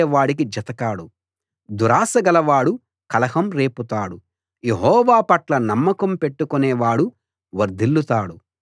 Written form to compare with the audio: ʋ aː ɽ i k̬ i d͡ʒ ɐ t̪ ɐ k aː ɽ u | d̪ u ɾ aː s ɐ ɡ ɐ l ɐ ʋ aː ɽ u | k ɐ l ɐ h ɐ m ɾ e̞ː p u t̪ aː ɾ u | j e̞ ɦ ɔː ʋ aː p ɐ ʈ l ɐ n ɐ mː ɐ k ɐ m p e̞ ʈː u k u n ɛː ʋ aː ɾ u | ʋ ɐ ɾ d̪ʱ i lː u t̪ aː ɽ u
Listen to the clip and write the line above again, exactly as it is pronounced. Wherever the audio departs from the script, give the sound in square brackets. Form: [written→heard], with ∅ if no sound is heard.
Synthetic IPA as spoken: ʋ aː ɽ i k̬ i d͡ʒ ɐ t̪ ɐ k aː ɽ u | d̪ u ɾ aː s ɐ ɡ ɐ l ɐ ʋ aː ɽ u | k ɐ l ɐ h ɐ m ɾ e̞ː p u t̪ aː [ɾ→ɽ] u | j e̞ ɦ ɔː ʋ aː p ɐ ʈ l ɐ n ɐ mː ɐ k ɐ m p e̞ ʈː u k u n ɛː ʋ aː [ɾ→ɽ] u | ʋ ɐ ɾ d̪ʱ i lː u t̪ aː ɽ u